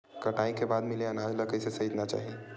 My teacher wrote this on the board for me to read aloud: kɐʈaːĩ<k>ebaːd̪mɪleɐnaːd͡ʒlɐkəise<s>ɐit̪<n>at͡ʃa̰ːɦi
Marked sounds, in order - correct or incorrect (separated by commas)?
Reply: correct, correct, correct